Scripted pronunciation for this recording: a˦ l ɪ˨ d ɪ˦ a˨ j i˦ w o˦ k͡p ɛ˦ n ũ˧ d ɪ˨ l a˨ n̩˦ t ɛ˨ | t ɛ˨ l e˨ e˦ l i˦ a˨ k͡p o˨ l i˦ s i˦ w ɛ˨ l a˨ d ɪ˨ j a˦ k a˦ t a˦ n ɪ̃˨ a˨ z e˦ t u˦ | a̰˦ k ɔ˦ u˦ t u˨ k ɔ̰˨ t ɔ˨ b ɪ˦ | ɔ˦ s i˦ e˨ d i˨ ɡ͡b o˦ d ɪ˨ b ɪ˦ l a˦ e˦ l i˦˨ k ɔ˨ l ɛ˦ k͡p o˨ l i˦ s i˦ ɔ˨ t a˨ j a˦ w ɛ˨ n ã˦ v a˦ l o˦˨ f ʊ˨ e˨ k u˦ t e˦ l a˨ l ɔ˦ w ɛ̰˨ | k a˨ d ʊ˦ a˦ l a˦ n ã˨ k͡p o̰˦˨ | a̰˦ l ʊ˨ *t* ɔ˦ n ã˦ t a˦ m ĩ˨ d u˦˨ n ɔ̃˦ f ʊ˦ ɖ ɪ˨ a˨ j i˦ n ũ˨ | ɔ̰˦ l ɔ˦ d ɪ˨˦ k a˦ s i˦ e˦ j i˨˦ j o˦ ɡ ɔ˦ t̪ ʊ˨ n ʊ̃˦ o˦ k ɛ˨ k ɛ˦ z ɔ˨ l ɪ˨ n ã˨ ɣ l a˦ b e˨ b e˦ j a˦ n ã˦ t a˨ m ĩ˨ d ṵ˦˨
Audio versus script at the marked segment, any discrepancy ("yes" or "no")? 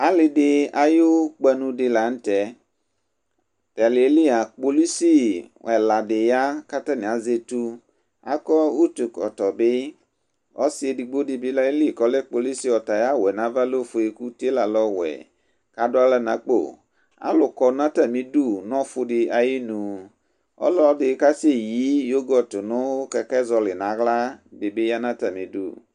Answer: yes